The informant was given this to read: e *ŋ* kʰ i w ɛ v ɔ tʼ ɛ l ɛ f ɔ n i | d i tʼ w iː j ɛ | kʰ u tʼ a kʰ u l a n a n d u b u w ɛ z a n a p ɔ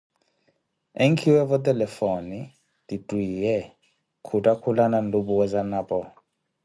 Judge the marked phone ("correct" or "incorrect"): correct